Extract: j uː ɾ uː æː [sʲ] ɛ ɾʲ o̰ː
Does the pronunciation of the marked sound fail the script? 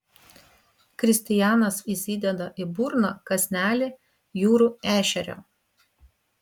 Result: yes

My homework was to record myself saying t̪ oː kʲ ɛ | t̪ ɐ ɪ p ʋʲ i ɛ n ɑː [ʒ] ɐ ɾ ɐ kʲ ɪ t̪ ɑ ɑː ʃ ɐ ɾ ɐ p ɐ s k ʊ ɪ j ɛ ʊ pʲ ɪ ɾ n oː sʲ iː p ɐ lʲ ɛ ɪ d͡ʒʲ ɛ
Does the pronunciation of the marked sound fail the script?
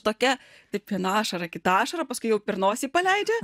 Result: yes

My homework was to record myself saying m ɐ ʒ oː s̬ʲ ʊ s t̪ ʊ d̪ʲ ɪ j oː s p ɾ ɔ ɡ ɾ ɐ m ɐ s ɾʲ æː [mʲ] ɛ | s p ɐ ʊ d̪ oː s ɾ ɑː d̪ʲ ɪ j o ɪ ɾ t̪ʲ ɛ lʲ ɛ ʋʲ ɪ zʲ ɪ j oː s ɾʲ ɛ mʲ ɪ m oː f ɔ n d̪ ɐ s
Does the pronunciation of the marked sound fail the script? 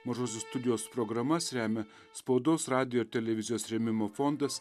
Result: no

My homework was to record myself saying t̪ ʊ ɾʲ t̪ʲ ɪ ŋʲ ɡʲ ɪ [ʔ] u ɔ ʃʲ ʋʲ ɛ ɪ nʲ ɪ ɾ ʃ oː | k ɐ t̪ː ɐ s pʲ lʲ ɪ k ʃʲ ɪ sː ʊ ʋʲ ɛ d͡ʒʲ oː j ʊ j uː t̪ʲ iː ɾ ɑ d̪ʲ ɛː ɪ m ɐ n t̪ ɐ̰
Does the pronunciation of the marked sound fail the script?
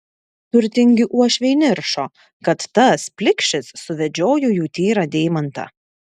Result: no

